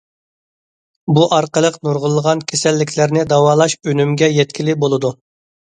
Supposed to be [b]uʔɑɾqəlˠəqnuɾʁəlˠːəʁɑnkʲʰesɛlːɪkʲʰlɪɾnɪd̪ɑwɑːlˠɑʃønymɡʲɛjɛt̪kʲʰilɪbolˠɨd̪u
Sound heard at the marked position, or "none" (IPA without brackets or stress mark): b